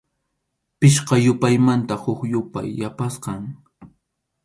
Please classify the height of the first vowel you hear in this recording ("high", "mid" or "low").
high